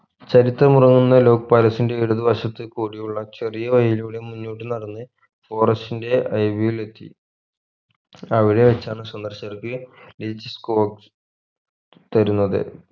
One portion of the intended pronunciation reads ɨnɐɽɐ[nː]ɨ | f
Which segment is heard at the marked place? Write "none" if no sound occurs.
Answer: nː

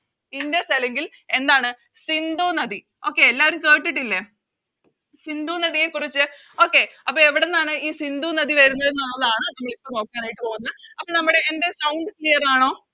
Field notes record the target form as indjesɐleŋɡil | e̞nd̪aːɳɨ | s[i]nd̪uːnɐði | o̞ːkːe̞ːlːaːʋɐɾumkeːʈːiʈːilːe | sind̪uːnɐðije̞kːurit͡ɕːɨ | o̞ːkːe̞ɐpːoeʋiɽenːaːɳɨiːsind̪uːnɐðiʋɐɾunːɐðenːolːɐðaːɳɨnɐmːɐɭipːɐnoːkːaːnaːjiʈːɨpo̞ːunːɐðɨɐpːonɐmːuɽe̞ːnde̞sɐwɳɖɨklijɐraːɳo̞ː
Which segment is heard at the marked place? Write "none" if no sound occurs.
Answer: i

